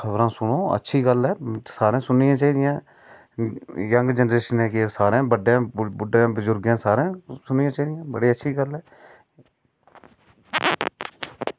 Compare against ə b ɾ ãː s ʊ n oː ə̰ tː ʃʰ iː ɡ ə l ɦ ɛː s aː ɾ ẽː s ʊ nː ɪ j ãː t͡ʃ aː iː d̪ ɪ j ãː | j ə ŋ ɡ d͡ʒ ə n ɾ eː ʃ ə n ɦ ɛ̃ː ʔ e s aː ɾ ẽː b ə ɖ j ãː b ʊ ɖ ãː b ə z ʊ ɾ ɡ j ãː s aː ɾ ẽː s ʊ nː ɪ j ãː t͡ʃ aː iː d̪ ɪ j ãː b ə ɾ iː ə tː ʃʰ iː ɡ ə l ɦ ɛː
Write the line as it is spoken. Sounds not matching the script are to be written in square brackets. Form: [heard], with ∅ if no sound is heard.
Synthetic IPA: ə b ɾ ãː s ʊ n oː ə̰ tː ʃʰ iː ɡ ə l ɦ ɛː s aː ɾ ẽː s ʊ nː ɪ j ãː t͡ʃ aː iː d̪ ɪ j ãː | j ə ŋ ɡ d͡ʒ ə n ɾ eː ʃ ə n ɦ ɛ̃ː [k] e s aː ɾ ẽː b ə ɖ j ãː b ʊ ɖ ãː b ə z ʊ ɾ ɡ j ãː s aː ɾ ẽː s ʊ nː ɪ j ãː t͡ʃ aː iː d̪ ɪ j ãː b ə [ɽ] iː ə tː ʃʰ iː ɡ ə l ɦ ɛː